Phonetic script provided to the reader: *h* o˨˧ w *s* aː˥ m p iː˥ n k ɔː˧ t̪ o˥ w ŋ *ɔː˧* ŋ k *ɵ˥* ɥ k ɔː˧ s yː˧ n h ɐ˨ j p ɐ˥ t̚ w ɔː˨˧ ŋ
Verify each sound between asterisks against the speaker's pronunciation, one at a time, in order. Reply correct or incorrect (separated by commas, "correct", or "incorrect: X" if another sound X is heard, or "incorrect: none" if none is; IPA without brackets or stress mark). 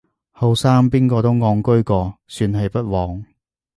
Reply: correct, correct, correct, correct